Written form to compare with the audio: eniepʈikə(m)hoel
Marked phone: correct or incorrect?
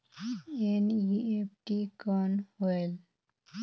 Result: incorrect: n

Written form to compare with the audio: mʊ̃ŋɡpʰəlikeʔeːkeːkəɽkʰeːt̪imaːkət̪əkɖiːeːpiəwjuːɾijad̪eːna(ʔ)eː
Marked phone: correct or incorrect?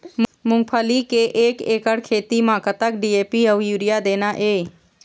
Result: correct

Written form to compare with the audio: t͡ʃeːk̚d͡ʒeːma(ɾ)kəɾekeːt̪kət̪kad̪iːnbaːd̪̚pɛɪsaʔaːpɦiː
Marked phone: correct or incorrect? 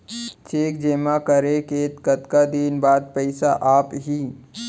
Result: incorrect: none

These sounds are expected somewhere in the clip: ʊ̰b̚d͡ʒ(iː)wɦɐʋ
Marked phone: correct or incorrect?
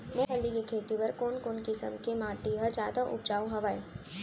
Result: incorrect: aː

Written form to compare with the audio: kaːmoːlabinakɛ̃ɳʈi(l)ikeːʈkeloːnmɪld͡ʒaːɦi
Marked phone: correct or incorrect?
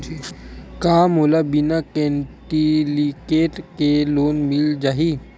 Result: correct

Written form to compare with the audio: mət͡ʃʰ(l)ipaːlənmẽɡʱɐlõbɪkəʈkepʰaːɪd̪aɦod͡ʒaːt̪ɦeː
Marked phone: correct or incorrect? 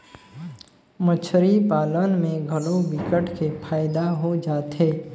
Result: incorrect: ɾ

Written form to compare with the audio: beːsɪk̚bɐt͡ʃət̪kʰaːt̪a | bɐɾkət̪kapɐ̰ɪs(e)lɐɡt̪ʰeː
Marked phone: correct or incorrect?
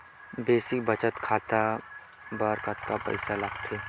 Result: incorrect: a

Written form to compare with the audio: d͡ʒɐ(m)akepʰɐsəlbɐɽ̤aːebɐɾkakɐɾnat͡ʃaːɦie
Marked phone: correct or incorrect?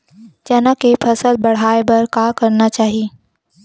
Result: incorrect: n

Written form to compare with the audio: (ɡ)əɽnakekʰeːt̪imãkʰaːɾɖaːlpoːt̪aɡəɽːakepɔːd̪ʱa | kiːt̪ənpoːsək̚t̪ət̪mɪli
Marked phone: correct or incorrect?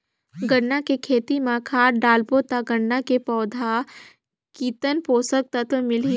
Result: correct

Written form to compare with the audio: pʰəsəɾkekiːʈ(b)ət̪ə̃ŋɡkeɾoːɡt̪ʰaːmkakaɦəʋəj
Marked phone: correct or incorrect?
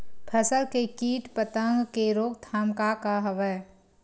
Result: incorrect: p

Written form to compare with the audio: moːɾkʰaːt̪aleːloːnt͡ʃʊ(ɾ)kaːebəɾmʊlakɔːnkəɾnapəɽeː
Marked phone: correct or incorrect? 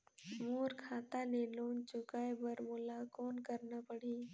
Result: incorrect: none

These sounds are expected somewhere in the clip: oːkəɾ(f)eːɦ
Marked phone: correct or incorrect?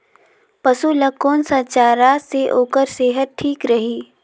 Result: incorrect: s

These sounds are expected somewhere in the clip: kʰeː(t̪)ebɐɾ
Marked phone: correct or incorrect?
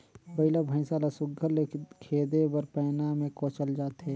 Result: incorrect: d̪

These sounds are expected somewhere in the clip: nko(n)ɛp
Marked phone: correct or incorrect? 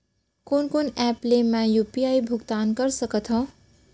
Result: correct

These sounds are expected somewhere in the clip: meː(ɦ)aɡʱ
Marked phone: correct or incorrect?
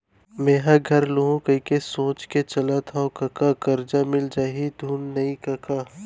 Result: correct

